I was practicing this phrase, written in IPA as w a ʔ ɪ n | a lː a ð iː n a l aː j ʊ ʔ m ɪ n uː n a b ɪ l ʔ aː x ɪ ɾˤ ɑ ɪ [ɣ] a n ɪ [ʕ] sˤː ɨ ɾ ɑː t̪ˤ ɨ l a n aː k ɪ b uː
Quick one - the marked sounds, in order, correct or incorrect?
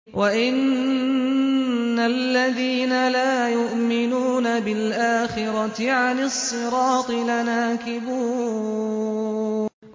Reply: incorrect: ʕ, incorrect: none

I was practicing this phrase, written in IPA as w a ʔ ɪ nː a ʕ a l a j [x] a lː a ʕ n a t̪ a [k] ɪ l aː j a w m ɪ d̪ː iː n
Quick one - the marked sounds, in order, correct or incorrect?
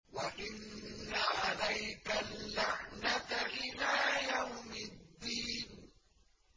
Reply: incorrect: k, incorrect: ʔ

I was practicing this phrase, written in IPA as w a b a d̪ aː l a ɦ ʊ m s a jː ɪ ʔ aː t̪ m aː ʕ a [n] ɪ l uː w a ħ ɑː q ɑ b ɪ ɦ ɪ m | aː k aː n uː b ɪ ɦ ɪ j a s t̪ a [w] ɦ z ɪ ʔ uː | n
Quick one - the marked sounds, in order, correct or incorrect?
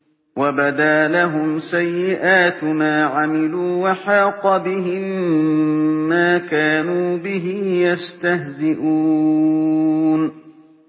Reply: incorrect: m, incorrect: none

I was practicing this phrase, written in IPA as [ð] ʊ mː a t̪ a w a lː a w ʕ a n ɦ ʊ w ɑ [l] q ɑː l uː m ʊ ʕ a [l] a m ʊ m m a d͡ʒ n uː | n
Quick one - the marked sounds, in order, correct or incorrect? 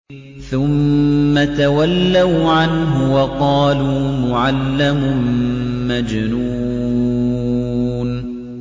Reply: incorrect: θ, incorrect: none, incorrect: lː

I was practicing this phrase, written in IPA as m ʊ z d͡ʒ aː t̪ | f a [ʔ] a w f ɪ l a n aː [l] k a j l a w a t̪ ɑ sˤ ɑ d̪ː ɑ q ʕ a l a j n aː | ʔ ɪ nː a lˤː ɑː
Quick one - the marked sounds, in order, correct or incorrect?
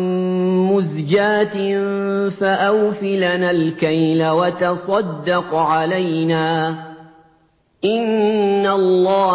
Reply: correct, correct

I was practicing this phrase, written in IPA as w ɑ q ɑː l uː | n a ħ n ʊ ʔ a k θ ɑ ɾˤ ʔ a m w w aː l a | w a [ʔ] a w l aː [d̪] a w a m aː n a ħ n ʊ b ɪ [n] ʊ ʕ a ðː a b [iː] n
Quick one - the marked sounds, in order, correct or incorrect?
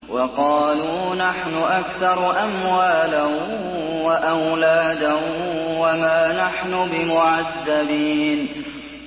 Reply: correct, correct, incorrect: m, correct

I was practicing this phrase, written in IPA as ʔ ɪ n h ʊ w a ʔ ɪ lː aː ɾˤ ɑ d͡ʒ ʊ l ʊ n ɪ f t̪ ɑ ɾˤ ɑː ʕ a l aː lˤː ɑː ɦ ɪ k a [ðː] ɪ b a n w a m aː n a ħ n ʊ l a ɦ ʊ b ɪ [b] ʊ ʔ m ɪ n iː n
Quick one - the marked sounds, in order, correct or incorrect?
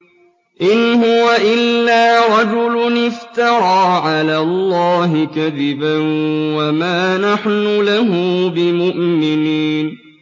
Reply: incorrect: ð, incorrect: m

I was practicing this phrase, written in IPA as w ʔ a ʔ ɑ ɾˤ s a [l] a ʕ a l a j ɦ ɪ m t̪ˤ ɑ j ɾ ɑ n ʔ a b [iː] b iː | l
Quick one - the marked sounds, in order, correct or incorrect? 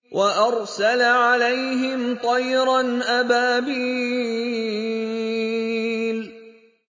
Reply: correct, incorrect: aː

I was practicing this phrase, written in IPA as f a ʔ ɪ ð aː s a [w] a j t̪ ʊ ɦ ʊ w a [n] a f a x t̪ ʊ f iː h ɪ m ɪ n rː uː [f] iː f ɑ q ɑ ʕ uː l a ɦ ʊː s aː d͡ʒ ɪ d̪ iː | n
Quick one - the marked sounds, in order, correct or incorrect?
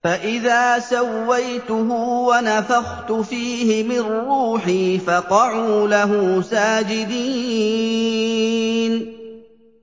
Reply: incorrect: wː, correct, incorrect: ħ

